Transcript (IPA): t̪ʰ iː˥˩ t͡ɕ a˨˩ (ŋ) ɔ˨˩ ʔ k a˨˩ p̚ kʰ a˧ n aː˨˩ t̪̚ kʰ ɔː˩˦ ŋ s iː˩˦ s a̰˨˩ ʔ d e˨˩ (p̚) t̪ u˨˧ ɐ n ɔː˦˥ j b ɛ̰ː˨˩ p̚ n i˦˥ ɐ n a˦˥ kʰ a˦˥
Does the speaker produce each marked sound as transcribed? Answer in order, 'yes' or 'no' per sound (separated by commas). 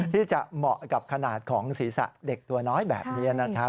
no, no